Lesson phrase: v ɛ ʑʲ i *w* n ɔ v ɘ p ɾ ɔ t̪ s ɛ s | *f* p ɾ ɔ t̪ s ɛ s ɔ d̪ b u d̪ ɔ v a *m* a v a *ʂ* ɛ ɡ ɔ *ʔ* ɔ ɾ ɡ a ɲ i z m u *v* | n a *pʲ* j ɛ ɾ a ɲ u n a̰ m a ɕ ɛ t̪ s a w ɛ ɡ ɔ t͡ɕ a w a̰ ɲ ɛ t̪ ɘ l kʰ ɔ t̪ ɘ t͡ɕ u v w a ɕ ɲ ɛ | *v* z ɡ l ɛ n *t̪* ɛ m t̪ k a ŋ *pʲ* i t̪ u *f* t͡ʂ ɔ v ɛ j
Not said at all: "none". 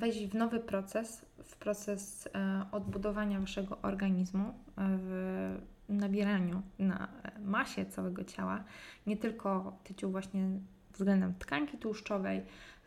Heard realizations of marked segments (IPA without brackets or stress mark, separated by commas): v, f, ɲ, ʂ, ʔ, v, bʲ, v, d̪, kʲ, ʂ